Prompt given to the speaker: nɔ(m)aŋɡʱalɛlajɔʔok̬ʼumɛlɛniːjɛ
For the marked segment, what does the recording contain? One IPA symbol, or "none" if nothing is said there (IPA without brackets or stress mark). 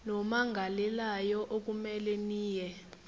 m